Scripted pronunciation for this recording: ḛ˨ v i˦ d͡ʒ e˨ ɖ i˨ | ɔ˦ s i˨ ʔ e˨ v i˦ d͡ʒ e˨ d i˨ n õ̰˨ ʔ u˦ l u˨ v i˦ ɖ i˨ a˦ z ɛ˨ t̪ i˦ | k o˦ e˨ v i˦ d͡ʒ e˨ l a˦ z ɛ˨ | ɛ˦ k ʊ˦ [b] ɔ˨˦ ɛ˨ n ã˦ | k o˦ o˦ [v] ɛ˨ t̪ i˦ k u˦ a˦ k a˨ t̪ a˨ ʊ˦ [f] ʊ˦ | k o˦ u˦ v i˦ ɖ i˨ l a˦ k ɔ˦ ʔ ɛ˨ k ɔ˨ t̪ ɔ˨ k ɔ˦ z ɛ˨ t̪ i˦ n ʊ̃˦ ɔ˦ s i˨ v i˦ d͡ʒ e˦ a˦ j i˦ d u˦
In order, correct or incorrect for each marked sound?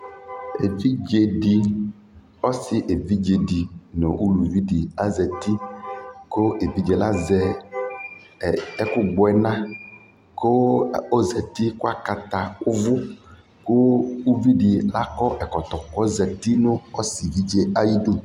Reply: incorrect: ɡ͡b, incorrect: z, incorrect: v

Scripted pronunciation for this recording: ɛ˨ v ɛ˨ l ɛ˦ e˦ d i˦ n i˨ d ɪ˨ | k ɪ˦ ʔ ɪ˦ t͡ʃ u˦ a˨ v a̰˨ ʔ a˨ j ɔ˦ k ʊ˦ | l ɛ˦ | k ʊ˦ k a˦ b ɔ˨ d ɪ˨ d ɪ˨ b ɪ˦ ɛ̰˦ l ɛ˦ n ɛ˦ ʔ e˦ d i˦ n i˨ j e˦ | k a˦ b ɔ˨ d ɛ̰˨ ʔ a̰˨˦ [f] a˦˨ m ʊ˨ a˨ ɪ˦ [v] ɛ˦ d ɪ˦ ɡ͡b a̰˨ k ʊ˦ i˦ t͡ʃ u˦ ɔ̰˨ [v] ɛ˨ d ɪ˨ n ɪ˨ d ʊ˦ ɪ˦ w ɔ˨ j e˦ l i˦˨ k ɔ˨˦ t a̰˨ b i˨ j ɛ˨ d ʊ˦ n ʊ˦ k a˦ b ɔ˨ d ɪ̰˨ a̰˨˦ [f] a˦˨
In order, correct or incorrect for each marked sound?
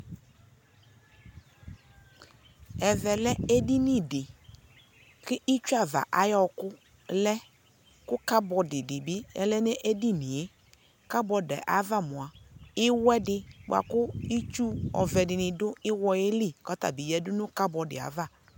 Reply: incorrect: v, incorrect: w, correct, incorrect: v

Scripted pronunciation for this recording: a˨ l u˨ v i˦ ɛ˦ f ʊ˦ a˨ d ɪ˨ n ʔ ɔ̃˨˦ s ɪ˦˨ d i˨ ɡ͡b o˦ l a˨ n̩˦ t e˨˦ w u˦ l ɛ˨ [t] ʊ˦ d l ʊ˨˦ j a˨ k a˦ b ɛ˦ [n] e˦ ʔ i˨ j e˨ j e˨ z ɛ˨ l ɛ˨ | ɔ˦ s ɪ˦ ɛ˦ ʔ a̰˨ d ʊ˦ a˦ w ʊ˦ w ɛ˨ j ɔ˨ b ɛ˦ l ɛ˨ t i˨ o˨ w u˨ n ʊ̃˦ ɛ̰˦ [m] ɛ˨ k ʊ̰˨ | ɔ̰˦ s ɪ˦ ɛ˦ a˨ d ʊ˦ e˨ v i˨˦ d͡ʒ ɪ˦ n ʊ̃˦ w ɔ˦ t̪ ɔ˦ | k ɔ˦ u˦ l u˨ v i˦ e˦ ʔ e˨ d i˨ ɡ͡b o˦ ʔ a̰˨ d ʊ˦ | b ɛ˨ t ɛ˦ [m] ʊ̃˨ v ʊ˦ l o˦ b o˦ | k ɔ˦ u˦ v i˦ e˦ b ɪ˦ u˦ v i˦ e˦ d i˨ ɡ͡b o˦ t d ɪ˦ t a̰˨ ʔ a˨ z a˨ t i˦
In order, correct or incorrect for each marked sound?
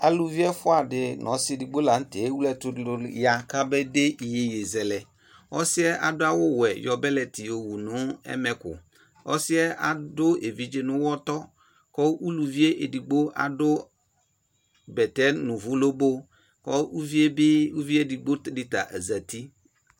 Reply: correct, incorrect: d, correct, incorrect: n

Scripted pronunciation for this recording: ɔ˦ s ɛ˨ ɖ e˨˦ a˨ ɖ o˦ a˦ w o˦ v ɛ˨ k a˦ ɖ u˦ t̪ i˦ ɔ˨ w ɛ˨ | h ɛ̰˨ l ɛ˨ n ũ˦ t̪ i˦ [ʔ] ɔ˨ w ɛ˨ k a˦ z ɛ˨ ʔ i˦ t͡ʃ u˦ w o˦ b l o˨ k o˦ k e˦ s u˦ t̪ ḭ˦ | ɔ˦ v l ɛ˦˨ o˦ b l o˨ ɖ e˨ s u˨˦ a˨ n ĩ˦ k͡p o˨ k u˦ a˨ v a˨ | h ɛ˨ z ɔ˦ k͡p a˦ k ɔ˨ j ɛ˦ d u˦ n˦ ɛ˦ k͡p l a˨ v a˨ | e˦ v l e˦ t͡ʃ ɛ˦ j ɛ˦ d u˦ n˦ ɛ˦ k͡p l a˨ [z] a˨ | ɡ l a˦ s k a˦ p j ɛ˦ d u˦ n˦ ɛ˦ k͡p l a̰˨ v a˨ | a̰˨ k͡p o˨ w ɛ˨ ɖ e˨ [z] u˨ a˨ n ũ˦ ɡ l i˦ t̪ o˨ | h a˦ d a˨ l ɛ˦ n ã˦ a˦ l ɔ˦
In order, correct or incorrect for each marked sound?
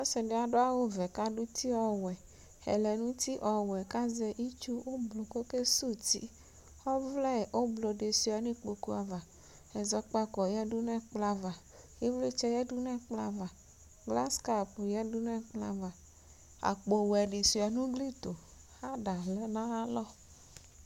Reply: correct, incorrect: v, incorrect: s

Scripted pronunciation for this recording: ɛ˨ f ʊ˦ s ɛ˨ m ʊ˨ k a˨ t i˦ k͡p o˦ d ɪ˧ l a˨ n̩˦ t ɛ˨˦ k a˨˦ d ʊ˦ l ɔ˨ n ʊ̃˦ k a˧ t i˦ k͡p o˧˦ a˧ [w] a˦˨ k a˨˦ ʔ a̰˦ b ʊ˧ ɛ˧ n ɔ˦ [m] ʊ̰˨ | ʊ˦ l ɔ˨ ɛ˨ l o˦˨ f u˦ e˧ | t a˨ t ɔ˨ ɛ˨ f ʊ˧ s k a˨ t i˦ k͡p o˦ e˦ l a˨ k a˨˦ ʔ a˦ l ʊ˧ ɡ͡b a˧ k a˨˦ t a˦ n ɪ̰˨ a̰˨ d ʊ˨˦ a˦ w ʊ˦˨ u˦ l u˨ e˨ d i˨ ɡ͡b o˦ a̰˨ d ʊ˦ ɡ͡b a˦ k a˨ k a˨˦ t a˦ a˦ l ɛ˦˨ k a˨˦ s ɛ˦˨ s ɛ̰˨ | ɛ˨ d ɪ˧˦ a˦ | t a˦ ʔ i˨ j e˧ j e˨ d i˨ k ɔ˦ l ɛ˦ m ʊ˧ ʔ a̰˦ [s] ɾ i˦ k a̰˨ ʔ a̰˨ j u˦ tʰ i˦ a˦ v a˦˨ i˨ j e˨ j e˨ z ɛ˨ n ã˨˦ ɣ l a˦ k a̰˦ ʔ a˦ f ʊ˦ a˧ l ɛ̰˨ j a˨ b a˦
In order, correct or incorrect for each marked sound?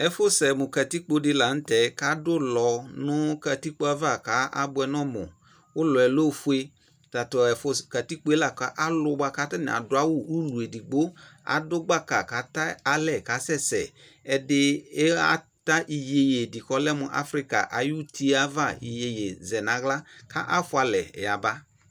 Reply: incorrect: v, correct, incorrect: f

